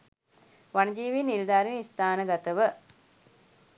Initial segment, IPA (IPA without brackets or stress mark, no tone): ʋ